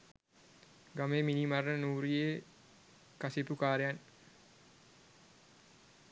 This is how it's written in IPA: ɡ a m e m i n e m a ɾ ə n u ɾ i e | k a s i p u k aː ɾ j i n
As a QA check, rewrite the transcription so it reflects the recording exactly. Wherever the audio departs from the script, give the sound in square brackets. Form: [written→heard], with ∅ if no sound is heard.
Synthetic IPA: ɡ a m e m i n [e→i] m a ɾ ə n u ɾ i e | k a s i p u k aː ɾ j [i→a] n